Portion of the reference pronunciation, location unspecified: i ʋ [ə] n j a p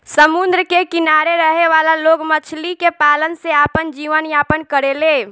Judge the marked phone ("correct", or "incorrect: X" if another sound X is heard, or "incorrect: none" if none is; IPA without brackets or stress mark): correct